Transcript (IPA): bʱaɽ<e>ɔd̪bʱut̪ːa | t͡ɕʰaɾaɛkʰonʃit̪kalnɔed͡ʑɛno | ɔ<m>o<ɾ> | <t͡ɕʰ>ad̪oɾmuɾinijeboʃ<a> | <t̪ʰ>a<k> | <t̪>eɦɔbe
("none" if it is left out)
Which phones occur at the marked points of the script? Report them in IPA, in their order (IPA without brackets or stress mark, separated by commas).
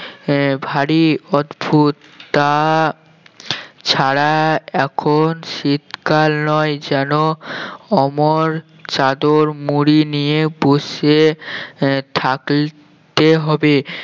i, m, ɾ, t͡ɕ, e, t̪ʰ, k, t̪